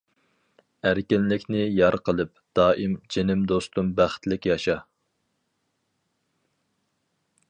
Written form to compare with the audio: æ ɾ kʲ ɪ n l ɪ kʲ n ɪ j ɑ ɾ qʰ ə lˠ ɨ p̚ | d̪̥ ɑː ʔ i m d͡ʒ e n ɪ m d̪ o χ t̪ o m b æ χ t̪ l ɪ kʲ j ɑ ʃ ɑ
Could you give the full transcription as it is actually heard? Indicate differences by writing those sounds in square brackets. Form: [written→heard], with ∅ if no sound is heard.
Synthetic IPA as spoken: æ ɾ kʲ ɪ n l ɪ kʲ n ɪ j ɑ ɾ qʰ ə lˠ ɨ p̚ | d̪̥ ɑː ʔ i m d͡ʒ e n ɪ m d̪ o [χ→s] t̪ [o→u] m b æ χ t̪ l ɪ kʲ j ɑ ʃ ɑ